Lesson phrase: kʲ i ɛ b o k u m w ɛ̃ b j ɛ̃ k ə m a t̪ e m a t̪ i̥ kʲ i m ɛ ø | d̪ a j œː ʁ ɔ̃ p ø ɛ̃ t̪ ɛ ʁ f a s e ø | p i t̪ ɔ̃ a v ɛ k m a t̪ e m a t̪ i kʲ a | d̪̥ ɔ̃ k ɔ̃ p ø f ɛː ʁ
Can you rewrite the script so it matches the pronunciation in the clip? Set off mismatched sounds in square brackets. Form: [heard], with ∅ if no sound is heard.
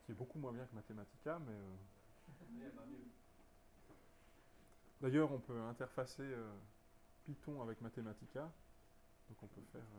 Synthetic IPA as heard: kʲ i ɛ b o k u m w ɛ̃ b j ɛ̃ k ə m a t̪ e m a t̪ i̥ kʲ [a] m ɛ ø | d̪ a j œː ʁ ɔ̃ p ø ɛ̃ t̪ ɛ ʁ f a s e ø | p i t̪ ɔ̃ a v ɛ k m a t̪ e m a t̪ i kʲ a | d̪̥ ɔ̃ k ɔ̃ p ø f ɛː ʁ

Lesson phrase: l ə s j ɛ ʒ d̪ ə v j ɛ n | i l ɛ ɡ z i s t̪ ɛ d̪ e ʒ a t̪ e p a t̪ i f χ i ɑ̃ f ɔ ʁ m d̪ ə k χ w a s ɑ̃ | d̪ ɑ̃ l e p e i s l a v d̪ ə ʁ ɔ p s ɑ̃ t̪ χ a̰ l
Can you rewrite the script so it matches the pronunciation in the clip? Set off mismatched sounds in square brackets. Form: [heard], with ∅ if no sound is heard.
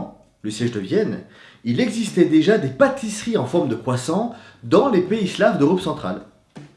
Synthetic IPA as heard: l ə s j ɛ ʒ d̪ ə v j ɛ n | i l ɛ ɡ z i s t̪ ɛ d̪ e ʒ a [d̪] e p a t̪ i [s] χ i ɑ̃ f ɔ ʁ m d̪ ə k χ w a s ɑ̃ | d̪ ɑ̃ l e p e i s l a v d̪ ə ʁ ɔ p s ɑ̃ t̪ χ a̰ l

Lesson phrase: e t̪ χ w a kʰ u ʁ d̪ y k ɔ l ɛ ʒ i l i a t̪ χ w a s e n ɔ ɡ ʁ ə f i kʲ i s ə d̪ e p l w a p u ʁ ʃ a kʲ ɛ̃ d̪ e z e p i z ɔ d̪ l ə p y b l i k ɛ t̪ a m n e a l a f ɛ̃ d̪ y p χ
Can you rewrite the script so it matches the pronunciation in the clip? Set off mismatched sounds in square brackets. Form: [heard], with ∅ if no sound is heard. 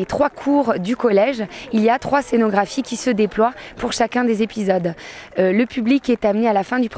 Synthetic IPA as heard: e t̪ χ w a kʰ u ʁ d̪ y k ɔ l ɛ ʒ i l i a t̪ χ w a s e n ɔ ɡ ʁ [a] f i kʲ i s ə d̪ e p l w a p u ʁ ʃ a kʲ ɛ̃ d̪ e z e p i z ɔ d̪ l ə p y b l i k ɛ t̪ a m n e a l a f ɛ̃ d̪ y p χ

